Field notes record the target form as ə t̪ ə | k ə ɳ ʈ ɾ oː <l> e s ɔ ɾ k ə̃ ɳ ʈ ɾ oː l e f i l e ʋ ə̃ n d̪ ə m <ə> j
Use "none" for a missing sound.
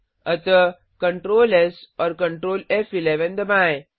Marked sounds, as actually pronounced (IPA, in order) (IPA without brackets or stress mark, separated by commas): l, a